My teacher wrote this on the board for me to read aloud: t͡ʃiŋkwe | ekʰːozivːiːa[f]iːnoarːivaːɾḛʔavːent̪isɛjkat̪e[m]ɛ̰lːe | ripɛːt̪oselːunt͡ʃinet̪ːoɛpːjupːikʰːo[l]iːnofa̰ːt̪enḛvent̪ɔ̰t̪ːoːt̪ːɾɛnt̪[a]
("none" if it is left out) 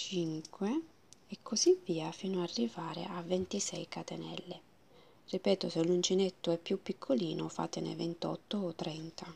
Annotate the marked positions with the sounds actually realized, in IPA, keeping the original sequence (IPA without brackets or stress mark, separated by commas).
f, n, l, a